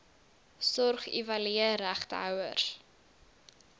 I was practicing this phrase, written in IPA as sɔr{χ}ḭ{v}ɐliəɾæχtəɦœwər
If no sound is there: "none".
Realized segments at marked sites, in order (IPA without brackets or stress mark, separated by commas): χ, v